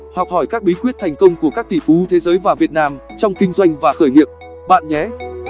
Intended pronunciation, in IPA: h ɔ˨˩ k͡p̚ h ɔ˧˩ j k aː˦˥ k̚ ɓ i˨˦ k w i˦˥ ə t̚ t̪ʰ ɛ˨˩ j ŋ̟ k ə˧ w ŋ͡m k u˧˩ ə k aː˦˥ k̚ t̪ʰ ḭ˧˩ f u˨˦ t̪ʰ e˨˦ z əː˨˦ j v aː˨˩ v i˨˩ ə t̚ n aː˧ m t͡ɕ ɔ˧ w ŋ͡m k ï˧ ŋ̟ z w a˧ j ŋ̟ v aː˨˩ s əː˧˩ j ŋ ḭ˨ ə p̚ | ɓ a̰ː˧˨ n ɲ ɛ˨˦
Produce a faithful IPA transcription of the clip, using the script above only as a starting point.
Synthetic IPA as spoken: h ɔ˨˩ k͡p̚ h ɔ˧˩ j k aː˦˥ k̚ ɓ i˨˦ k w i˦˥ ə t̚ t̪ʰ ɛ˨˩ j ŋ̟ k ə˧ w ŋ͡m k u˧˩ ə k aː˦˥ k̚ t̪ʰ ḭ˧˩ f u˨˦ t̪ʰ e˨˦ z əː˨˦ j v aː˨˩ v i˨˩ ə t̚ n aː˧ m t͡ɕ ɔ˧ w ŋ͡m k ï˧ ŋ̟ z w a˧ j ŋ̟ v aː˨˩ x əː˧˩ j ŋ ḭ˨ ə p̚ | ɓ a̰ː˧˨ n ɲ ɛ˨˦